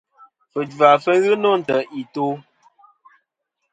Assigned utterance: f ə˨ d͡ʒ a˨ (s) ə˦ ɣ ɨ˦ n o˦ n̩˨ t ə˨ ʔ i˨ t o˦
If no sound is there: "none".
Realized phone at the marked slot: f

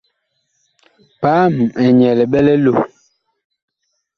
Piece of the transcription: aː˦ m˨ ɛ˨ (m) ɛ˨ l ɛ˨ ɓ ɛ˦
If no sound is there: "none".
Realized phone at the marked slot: ɲ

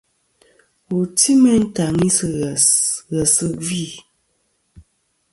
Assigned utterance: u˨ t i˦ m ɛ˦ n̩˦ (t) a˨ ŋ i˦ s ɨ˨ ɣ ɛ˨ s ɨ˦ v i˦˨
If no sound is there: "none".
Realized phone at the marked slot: t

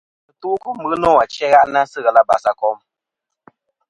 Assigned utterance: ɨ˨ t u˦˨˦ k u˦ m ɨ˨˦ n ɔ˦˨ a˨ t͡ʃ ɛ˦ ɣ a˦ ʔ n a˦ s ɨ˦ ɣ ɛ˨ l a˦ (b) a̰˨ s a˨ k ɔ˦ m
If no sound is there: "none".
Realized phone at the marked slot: b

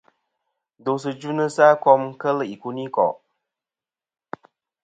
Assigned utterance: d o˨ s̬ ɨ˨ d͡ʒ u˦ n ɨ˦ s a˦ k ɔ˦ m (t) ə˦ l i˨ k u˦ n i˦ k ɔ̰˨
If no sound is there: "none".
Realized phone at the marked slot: k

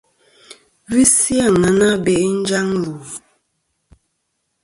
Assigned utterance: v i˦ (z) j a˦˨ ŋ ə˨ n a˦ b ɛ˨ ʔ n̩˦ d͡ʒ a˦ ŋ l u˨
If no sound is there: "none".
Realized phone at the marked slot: s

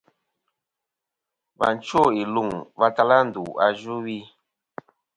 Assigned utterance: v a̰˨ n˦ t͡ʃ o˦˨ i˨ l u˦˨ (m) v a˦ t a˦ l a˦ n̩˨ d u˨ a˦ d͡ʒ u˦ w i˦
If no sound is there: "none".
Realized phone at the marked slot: ŋ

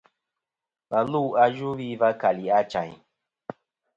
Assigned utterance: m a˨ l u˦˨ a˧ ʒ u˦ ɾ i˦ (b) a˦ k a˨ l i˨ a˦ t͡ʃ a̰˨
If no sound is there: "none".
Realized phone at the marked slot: v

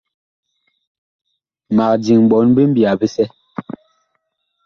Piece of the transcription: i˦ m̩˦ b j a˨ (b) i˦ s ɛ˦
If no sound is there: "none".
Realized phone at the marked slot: b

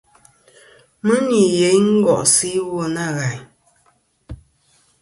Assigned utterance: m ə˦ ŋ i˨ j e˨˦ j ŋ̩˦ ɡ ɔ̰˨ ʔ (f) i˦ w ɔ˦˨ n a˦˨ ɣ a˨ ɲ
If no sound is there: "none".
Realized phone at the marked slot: s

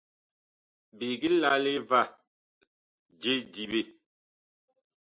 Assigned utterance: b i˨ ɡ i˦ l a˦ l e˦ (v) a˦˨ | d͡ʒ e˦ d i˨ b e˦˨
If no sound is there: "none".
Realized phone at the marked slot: v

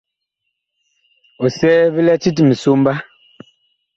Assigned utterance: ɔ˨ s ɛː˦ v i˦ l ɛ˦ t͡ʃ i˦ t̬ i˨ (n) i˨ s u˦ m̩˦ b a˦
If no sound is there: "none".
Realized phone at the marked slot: m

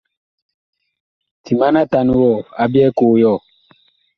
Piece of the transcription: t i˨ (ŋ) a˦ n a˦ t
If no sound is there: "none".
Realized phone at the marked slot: m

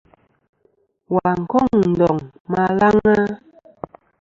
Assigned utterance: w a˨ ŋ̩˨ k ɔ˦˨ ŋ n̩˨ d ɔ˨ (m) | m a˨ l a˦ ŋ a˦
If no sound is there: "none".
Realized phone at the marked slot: ŋ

